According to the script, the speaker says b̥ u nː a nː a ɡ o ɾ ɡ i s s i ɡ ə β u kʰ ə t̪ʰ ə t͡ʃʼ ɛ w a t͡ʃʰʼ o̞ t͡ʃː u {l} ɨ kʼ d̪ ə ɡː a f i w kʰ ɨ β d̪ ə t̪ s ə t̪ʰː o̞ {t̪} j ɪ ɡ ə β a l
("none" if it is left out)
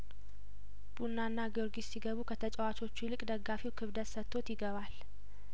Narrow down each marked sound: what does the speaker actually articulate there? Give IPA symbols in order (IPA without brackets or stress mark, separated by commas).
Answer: l, t̪